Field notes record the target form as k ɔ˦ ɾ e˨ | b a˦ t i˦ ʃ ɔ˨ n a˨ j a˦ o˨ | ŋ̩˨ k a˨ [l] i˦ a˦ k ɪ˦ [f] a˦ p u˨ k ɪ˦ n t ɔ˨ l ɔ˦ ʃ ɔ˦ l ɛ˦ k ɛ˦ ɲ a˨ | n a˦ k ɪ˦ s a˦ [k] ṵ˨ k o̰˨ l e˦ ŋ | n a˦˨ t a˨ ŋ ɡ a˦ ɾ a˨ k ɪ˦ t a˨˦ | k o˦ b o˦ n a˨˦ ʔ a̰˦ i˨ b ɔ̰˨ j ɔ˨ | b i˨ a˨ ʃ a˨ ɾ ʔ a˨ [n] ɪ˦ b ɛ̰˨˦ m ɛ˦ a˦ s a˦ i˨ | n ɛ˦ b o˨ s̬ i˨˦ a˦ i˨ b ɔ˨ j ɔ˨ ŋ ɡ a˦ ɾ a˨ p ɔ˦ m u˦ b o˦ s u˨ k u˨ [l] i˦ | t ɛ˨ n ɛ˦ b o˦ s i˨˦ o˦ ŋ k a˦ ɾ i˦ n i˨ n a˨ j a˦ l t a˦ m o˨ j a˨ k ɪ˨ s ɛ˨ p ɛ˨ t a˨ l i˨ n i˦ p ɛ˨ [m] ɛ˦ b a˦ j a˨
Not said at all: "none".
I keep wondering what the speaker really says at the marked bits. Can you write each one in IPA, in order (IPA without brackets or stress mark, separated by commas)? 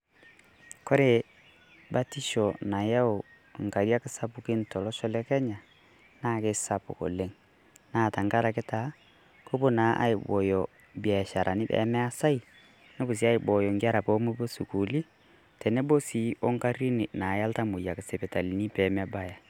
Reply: ɾ, s, p, n, l, m